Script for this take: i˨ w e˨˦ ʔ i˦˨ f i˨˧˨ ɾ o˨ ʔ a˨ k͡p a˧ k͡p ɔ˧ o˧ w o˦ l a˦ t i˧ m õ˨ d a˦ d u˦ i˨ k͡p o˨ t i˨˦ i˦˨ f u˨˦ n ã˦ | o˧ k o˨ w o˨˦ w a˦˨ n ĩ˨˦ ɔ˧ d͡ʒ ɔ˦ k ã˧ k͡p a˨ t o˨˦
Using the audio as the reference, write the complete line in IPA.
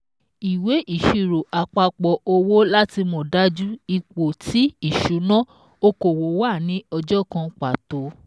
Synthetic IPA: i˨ w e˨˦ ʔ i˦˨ ʃ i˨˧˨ ɾ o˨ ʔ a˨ k͡p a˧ k͡p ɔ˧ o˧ w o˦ l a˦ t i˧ m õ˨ d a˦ d͡ʒ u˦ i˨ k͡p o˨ t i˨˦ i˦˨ ʃ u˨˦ n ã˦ | o˧ k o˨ w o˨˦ w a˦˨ n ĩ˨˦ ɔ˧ d͡ʒ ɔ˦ k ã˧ k͡p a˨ t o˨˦